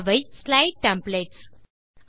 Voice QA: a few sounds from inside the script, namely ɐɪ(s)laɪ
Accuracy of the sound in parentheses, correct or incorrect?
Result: correct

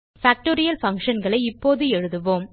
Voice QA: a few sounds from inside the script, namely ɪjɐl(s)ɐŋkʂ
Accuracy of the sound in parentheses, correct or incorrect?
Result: incorrect: f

